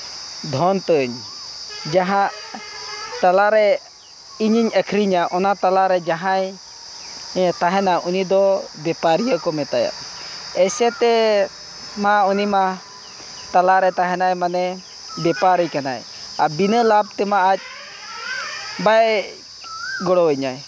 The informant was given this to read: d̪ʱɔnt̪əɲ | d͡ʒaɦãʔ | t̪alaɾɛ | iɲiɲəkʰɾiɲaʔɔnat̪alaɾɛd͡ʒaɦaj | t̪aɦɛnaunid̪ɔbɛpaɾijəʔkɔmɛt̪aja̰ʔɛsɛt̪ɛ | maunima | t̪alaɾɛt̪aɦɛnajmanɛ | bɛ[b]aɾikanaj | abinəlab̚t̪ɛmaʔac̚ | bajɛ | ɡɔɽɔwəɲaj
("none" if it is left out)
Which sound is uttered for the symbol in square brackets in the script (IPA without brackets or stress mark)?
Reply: p